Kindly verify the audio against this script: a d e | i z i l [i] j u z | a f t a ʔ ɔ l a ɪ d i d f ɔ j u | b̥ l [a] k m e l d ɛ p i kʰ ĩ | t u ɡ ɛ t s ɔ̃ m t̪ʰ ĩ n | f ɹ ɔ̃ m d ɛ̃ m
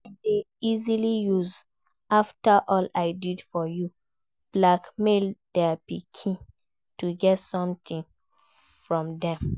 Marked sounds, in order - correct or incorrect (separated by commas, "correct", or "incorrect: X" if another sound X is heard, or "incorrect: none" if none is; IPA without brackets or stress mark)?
correct, correct